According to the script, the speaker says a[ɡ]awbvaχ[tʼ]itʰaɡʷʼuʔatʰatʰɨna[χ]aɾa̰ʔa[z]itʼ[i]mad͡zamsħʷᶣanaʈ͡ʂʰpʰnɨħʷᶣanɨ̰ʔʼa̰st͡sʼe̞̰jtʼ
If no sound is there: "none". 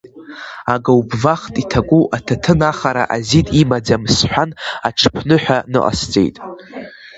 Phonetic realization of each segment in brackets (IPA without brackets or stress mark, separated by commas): ɡ, tʼ, χ, z, i